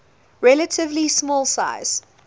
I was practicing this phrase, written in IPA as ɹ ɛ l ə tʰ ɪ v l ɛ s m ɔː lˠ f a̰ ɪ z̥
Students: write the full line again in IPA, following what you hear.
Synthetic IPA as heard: ɹ ɛ l ə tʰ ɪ v l i s m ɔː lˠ s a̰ ɪ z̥